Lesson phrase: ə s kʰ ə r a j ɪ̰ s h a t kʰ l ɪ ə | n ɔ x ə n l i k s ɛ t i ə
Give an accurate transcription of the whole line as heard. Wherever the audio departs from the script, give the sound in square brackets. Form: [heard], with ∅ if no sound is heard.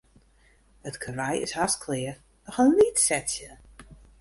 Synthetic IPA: ə [t] kʰ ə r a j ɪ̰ s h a [s] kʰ l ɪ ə | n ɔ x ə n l i [t] s ɛ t [j] ə